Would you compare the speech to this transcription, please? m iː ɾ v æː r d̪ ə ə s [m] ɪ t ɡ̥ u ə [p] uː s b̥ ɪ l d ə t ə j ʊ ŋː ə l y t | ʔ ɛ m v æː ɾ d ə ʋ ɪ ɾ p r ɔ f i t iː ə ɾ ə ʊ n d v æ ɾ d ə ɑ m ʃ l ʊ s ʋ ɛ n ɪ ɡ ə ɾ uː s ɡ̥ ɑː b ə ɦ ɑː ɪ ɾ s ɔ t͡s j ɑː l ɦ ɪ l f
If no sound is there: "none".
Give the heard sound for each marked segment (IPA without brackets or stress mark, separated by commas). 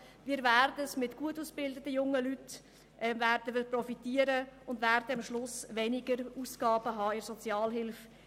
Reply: m, t